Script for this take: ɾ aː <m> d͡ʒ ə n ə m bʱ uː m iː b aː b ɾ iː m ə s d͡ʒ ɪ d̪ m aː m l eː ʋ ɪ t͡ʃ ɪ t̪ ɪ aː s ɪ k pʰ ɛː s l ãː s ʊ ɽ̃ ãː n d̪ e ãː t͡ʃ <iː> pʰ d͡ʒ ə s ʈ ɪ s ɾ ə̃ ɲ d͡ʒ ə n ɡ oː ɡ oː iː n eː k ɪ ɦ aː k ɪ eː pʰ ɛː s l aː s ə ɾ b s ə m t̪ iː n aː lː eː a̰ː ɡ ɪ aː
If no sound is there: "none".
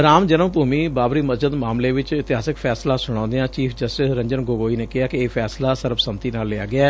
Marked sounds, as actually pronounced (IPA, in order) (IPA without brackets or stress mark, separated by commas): m, iː